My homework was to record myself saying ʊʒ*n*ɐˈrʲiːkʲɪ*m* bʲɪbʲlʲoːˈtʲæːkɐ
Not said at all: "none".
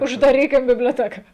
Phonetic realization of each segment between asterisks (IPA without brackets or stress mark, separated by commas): d, m